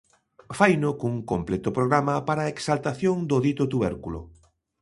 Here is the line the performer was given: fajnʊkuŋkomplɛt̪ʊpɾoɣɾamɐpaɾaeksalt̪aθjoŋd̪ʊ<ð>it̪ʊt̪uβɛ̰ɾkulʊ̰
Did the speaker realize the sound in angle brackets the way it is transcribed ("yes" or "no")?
yes